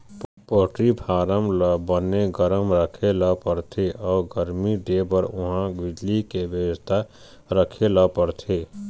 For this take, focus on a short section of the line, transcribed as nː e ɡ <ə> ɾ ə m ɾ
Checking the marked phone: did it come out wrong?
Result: no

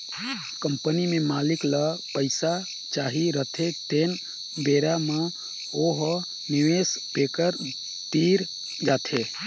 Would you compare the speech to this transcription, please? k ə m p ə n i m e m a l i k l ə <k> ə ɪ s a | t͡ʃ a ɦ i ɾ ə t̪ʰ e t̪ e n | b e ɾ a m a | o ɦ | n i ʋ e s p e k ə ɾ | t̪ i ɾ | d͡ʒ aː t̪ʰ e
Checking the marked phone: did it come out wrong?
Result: yes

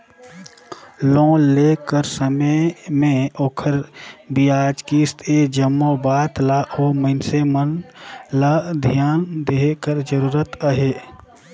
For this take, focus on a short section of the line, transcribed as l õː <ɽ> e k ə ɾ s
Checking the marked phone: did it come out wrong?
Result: yes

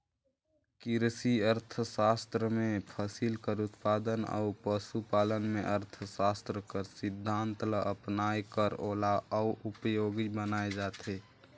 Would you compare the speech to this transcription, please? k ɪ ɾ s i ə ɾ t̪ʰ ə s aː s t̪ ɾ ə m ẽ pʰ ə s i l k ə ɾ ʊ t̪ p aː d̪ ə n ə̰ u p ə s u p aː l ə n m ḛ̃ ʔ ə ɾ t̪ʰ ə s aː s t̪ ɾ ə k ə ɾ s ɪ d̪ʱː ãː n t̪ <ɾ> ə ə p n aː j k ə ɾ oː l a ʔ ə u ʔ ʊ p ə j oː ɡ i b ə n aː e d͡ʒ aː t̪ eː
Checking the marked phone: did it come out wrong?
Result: yes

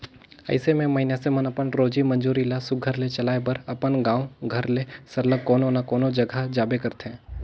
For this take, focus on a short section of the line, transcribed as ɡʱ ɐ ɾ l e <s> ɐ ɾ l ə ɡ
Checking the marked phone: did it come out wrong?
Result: no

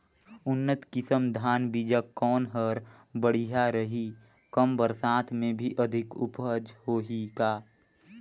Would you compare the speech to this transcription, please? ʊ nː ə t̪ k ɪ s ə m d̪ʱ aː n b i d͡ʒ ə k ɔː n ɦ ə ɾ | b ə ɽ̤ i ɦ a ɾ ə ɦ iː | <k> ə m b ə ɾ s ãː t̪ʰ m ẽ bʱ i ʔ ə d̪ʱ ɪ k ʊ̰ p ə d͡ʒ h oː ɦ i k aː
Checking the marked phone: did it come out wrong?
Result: no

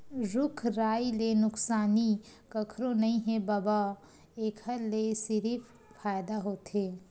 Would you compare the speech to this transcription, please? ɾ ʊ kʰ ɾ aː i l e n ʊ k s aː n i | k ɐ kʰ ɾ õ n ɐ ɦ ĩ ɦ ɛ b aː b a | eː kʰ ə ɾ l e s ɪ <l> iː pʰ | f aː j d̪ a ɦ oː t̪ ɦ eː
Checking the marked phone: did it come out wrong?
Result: yes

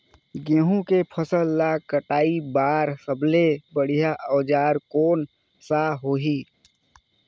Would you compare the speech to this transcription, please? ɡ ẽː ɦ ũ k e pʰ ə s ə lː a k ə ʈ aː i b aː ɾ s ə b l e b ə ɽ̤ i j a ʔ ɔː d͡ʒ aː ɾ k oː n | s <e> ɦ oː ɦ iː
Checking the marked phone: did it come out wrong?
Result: yes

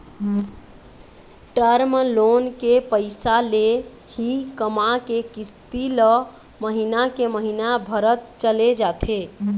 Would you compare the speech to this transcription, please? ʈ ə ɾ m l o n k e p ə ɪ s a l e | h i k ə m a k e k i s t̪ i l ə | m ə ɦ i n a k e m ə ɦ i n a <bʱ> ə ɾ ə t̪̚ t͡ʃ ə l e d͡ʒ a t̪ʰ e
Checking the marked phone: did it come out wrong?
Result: no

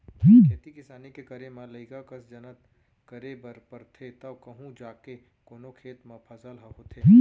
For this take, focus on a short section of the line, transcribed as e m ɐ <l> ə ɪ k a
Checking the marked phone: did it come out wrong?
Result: no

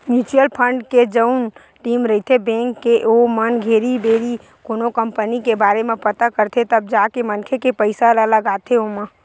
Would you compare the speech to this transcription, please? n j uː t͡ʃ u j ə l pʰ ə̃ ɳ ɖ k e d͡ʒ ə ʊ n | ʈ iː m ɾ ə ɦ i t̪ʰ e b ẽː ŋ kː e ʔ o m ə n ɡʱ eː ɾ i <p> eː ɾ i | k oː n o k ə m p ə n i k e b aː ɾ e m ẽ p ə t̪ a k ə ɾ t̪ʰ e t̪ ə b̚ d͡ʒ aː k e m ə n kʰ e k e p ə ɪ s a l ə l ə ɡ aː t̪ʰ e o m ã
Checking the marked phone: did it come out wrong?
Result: yes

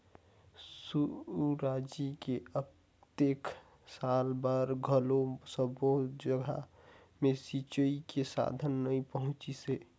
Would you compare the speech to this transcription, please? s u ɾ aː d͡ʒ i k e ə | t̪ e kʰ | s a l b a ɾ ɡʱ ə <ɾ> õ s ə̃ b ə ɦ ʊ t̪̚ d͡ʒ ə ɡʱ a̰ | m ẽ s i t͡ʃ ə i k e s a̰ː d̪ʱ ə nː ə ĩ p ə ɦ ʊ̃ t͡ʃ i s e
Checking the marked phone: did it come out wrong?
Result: yes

